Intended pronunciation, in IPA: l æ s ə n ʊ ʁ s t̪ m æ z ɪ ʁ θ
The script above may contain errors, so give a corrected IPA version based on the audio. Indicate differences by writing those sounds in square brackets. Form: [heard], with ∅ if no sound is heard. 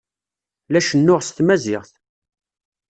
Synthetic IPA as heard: l æ [ʃ] ə [nː] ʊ ʁ s t̪ m æ z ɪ ʁ θ